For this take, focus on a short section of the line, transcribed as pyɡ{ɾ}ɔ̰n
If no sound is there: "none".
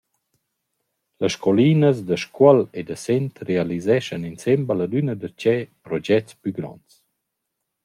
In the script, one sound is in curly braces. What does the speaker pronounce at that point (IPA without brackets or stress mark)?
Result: ɾ